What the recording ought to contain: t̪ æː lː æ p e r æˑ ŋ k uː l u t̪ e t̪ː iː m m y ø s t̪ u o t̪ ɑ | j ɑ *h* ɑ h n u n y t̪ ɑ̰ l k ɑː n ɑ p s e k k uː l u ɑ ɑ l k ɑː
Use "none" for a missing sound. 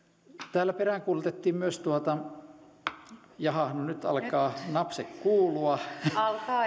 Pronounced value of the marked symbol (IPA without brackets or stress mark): h